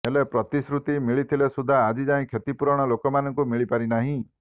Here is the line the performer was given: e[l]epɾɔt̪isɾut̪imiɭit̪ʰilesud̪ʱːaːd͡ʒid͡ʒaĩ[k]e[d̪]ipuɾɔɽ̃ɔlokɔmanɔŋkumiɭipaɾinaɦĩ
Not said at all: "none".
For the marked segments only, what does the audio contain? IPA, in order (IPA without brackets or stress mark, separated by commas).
l, kʰ, t̪